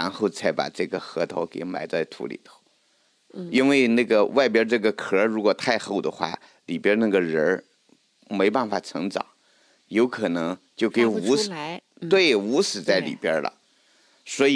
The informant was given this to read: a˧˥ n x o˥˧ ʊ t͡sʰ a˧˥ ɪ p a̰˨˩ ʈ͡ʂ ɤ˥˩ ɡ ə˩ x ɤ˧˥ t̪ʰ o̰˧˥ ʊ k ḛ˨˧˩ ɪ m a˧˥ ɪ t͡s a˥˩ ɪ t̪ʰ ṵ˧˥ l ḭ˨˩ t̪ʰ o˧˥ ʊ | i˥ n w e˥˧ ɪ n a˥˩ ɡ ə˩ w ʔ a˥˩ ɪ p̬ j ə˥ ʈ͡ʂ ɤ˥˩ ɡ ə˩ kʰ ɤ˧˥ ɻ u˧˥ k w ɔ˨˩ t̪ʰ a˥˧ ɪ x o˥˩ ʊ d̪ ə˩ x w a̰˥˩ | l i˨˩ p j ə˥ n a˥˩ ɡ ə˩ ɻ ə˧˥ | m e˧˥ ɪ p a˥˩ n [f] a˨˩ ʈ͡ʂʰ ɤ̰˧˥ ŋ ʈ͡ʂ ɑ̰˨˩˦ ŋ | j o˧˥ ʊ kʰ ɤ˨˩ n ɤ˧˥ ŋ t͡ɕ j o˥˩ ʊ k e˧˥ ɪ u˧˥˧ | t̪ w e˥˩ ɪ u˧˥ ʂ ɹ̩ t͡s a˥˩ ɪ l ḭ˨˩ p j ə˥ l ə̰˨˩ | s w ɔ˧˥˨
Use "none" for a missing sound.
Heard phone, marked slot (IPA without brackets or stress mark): f